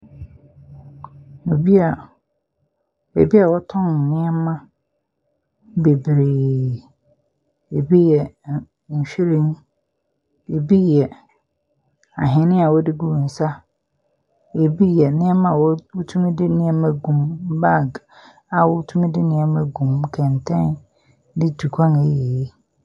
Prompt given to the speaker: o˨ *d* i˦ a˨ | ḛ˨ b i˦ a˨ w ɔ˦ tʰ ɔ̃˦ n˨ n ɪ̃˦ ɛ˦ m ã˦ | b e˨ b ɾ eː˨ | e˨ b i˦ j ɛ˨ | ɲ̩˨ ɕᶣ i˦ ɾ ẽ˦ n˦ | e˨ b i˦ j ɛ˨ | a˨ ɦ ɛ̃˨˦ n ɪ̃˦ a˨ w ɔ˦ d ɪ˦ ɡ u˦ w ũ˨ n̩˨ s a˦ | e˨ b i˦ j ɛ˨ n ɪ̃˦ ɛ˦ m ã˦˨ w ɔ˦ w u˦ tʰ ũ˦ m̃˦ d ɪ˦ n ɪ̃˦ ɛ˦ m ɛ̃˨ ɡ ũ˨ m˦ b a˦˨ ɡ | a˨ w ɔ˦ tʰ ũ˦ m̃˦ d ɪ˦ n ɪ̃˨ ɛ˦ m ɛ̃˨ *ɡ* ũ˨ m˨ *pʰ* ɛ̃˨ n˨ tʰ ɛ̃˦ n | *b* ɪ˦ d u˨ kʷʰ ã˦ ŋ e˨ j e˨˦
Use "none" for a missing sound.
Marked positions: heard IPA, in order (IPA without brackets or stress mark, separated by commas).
b, ɡ, kʰ, d